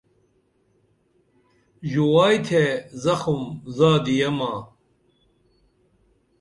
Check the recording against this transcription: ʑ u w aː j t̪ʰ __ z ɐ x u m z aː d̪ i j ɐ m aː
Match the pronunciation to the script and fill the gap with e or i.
e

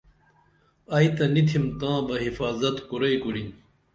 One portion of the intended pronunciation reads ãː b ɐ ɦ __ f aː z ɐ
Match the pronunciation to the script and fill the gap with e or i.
i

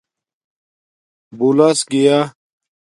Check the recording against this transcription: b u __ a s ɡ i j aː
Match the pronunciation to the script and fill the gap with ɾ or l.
l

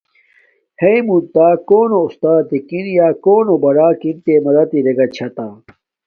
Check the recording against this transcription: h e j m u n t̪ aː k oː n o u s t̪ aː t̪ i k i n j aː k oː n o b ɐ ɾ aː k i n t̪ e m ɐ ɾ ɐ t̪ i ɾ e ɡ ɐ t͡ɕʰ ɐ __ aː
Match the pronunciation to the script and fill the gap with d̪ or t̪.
t̪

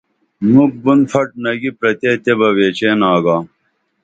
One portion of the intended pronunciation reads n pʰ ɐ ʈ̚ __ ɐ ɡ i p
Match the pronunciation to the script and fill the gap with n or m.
n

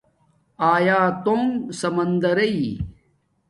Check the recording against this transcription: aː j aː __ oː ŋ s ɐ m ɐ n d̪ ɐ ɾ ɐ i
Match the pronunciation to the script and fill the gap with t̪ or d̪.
t̪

